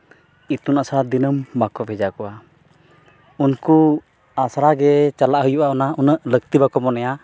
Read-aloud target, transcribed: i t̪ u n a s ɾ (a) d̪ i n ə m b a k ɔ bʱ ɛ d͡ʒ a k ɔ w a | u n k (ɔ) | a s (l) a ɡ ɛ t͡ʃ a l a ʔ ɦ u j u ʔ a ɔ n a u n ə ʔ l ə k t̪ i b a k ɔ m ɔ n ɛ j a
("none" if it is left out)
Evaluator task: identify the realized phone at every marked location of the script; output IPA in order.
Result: a, u, ɾ

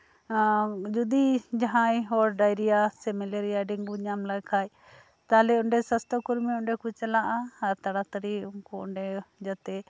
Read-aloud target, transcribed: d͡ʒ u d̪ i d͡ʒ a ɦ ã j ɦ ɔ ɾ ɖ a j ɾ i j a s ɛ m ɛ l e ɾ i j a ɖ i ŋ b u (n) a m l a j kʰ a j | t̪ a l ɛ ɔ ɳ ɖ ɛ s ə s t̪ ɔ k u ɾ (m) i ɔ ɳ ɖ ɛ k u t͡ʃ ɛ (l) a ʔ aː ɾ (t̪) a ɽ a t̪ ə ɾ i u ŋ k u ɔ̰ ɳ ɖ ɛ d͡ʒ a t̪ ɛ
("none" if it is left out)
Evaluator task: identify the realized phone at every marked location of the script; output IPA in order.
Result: ɲ, m, l, t̪

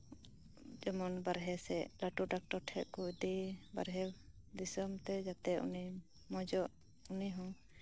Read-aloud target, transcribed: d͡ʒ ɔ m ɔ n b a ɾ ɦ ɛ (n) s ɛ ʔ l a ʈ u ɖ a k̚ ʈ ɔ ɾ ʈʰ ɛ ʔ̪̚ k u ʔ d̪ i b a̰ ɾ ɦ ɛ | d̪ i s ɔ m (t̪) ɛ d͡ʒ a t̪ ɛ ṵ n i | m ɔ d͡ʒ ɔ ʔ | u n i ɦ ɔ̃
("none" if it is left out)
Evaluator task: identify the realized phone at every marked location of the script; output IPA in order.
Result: none, t̪

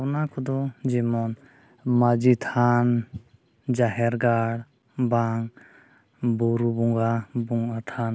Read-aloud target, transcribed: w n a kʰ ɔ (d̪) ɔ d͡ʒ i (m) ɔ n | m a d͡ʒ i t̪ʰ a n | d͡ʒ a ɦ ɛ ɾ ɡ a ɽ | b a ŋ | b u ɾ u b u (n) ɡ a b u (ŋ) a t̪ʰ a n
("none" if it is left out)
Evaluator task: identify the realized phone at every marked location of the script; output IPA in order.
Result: d̪, m, ŋ, ŋ

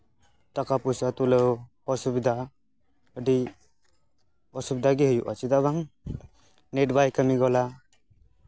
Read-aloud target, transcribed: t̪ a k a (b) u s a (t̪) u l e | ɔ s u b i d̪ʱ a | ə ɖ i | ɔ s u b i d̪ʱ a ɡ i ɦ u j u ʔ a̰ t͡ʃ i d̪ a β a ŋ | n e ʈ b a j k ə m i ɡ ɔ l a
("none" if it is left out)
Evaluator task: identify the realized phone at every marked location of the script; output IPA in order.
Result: p, t̪

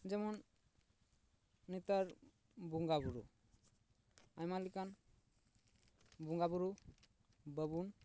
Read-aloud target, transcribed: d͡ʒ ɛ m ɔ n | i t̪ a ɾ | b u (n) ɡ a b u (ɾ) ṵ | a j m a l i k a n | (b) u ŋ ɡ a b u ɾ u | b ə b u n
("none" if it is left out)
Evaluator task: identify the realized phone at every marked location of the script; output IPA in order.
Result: ŋ, ɾ, b

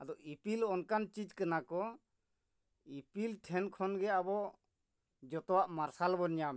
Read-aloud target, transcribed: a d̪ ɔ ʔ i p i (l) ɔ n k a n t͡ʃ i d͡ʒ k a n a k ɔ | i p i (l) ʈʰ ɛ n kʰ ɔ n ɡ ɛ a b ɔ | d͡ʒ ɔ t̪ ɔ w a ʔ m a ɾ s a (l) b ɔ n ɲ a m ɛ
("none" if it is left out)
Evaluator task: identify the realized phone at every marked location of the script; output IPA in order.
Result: l, l, l

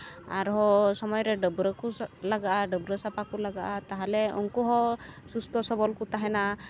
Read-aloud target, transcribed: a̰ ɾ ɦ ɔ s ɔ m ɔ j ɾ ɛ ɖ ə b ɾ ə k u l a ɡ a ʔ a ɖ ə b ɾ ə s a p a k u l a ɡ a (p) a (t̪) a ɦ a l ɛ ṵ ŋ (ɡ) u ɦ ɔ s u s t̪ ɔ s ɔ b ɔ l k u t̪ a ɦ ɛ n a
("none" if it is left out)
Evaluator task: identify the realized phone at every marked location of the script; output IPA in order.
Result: ʔ, t̪, k

